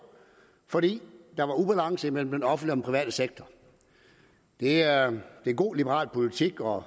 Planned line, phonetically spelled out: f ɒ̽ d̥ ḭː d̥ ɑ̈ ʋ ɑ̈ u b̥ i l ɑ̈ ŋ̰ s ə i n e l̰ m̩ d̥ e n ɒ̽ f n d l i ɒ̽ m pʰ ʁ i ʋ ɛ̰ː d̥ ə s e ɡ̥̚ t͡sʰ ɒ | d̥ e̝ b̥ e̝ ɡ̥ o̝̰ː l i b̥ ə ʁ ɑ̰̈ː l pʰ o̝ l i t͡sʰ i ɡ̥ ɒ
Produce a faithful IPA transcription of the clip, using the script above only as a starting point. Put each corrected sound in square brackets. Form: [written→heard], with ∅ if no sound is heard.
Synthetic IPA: f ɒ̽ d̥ ḭː d̥ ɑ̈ ʋ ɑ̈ u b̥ [i→æ] l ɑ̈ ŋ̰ s ə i [n→m] e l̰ m̩ d̥ e n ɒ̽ f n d l i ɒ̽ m pʰ ʁ i ʋ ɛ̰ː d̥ ə s e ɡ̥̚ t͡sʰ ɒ | d̥ e̝ [b̥→d̥] e̝ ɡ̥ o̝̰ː l i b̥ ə ʁ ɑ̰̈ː l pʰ o̝ l i t͡sʰ i ɡ̥ ɒ